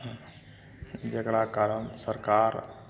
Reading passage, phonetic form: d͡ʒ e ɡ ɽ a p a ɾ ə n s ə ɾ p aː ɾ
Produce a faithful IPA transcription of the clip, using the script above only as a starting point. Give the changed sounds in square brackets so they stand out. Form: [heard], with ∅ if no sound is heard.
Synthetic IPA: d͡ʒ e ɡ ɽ a [k] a ɾ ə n s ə ɾ [k] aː ɾ